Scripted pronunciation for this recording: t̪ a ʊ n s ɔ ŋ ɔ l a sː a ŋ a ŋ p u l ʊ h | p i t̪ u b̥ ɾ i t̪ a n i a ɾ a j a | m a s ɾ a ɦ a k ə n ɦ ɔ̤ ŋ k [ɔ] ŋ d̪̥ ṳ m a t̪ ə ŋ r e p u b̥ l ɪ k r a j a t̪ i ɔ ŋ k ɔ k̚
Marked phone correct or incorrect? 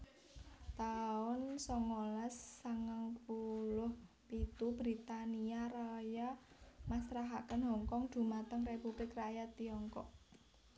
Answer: correct